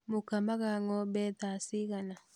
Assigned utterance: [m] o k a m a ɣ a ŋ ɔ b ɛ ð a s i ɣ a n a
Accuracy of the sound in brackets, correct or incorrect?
correct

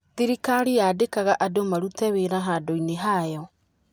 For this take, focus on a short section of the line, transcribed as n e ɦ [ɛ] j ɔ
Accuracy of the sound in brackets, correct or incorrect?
incorrect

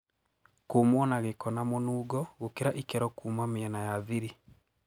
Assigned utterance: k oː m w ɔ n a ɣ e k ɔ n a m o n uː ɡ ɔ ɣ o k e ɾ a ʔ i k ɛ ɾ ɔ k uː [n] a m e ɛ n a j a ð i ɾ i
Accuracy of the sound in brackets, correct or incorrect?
incorrect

